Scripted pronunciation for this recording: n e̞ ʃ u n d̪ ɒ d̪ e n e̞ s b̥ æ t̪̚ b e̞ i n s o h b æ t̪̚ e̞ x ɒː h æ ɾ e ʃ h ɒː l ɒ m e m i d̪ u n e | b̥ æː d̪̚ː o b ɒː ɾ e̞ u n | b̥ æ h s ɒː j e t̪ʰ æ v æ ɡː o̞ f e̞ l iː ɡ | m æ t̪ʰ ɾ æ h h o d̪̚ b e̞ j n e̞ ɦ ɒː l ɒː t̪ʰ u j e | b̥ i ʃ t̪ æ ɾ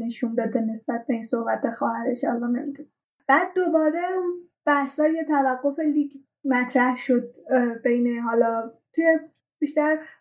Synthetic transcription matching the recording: n e̞ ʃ u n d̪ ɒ d̪ e n e̞ s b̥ æ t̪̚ b e̞ i n s o h b æ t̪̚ e̞ x ɒː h æ ɾ e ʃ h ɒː l ɒ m e m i d̪ u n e | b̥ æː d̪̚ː o b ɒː ɾ e̞ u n | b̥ æ h s ɒː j e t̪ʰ æ v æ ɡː o̞ f e̞ l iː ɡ | m æ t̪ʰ ɾ æ h ʃ o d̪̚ b e̞ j n e̞ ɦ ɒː l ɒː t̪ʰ u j e | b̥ i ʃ t̪ æ ɾ